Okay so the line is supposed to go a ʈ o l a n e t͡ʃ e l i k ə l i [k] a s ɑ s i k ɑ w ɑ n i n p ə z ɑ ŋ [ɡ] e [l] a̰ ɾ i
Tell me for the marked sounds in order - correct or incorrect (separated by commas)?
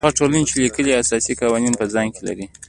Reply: incorrect, incorrect, correct